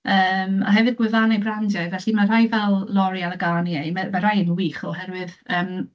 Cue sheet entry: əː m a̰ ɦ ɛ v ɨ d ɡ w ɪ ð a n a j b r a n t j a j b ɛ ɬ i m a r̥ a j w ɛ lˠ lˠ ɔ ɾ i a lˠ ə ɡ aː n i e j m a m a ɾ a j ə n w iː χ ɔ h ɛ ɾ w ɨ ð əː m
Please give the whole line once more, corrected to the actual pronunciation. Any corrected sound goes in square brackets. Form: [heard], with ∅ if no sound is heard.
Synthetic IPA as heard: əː m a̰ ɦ ɛ v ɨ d ɡ w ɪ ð a n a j b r a n [d] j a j [v] ɛ ɬ i m a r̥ a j [v] ɛ lˠ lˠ ɔ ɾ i a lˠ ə ɡ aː n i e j m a m a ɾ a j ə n w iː χ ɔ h ɛ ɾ w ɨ ð əː m